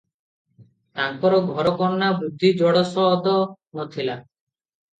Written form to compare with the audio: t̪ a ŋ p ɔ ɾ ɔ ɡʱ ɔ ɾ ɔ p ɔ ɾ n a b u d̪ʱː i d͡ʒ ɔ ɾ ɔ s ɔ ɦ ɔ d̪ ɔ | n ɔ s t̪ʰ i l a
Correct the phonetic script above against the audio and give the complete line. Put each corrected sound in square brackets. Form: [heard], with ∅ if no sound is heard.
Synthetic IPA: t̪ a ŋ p ɔ ɾ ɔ ɡʱ ɔ ɾ ɔ [k] ɔ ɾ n a b u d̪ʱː i d͡ʒ ɔ [ɽ] ɔ s ɔ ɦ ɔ d̪ ɔ | n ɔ [∅] t̪ʰ i l a